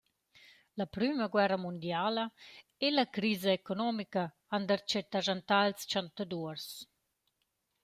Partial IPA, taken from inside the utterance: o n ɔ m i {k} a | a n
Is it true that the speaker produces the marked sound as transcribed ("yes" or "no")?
yes